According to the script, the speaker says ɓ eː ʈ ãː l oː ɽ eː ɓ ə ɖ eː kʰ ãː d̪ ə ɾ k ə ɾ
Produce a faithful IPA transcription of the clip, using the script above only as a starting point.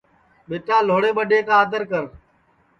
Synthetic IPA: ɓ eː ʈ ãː l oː ɽ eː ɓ ə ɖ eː k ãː d̪ ə ɾ k ə ɾ